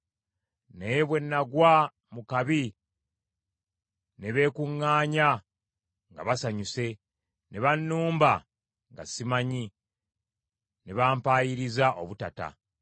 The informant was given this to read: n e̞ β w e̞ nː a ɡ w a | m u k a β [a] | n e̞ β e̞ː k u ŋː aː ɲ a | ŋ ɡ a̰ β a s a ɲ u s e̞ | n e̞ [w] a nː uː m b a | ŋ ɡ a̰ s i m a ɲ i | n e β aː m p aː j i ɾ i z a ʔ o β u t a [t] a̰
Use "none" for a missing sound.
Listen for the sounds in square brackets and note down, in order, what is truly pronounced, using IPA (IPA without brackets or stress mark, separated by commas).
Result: i, β, t